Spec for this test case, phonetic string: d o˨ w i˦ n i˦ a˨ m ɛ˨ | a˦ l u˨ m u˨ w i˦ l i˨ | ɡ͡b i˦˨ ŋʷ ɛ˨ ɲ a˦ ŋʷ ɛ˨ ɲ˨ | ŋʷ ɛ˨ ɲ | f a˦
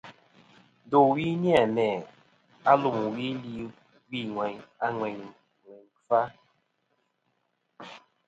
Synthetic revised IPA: d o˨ w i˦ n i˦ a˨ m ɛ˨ | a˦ l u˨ m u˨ w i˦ l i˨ | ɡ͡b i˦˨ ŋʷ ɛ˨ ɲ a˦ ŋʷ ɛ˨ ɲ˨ | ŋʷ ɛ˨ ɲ | f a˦

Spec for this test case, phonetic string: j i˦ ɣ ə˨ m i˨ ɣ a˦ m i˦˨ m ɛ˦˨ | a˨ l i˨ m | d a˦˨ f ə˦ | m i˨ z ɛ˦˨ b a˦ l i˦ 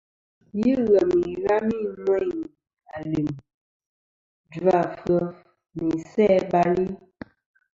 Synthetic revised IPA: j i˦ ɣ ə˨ m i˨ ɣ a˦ m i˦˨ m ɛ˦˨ | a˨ l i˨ m | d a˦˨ f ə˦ | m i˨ s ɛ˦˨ b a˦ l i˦

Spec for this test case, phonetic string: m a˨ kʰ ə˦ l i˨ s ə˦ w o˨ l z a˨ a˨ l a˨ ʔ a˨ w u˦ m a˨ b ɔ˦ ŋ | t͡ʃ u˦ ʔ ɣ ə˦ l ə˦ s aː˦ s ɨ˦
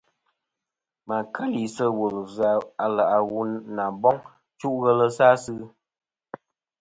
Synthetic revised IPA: m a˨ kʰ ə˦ l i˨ s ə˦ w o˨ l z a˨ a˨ l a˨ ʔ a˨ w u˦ n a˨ b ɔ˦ ŋ | t͡ʃ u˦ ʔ ɣ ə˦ l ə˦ s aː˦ s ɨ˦

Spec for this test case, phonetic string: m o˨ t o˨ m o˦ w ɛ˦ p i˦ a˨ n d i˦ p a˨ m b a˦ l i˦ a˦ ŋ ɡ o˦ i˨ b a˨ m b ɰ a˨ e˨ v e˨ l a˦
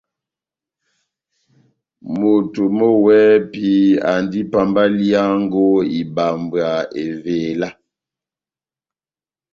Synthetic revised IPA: m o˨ t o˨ m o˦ w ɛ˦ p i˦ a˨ n d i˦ p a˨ m b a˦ l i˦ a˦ ŋ ɡ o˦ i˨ b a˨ m b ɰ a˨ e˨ v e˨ l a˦

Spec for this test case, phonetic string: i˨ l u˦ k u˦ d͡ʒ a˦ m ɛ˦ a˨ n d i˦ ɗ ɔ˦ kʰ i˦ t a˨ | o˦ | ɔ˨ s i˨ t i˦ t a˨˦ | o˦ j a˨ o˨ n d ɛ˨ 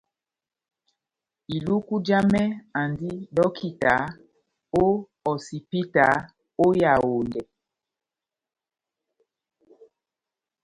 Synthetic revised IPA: i˨ l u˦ k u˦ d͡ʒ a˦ m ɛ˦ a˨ n d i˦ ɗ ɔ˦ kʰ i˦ t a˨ | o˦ | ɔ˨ s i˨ p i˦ t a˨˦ | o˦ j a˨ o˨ n d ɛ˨

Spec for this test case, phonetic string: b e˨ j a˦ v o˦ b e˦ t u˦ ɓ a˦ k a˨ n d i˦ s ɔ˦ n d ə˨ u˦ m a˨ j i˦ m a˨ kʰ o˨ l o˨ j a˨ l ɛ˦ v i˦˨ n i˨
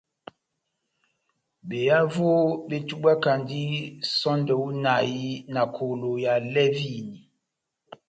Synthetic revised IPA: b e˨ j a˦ v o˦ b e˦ t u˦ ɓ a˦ k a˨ n d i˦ s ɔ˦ n d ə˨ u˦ n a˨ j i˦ n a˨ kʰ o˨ l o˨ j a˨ l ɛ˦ v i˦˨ n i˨

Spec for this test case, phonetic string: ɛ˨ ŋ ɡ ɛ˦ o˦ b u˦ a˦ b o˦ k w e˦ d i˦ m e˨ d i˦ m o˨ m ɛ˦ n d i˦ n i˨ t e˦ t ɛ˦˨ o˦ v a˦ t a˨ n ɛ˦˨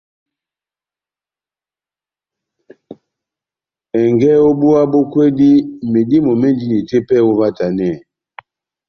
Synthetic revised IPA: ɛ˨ ŋ ɡ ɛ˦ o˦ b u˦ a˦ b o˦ k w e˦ d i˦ m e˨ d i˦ m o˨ m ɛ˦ n d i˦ n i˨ t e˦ p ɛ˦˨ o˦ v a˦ t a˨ n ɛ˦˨

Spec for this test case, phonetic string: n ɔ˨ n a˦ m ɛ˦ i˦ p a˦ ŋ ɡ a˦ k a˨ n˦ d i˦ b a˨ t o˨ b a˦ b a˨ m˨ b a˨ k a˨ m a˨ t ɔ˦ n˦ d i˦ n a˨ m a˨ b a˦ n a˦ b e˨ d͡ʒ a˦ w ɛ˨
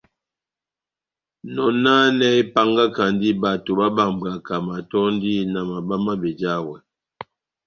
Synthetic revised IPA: n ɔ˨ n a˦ n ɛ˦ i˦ p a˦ ŋ ɡ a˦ k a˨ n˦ d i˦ b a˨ t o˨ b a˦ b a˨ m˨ b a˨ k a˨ m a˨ t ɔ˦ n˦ d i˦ n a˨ m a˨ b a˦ m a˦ b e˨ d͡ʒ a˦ w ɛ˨

